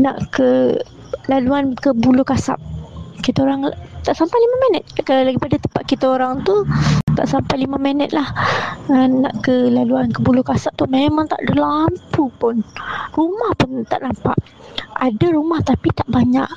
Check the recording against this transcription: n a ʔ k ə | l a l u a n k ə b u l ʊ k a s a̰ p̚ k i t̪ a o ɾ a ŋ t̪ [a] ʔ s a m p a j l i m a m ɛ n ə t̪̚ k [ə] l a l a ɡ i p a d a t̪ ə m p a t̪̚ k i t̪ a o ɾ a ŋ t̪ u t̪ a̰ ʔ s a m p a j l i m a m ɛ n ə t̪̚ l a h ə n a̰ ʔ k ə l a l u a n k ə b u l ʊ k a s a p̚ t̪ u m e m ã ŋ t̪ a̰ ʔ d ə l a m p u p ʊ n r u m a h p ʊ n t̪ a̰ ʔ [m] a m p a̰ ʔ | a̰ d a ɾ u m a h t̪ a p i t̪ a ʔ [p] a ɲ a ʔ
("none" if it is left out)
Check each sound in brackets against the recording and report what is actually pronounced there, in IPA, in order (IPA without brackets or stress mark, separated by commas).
a, a, n, b